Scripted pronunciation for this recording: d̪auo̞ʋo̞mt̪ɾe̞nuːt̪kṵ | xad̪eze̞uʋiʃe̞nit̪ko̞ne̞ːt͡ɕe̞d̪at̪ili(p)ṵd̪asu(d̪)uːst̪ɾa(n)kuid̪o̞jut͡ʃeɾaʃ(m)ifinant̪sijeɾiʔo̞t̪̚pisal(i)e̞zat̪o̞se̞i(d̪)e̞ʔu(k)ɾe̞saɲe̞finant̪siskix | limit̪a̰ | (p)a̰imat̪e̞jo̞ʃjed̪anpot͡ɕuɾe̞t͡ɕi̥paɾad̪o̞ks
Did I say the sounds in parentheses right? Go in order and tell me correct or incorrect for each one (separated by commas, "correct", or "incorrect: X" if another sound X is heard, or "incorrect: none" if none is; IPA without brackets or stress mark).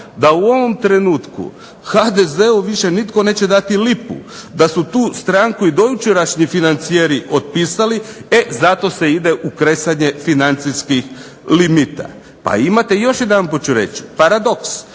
correct, incorrect: t̪, incorrect: ŋ, incorrect: ɲ, correct, correct, correct, correct